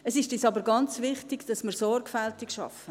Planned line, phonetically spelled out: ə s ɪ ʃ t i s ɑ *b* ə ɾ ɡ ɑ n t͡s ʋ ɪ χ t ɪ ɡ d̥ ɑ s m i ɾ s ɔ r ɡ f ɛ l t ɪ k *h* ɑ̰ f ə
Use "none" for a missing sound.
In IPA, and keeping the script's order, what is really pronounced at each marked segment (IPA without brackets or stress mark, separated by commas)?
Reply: b, ʃ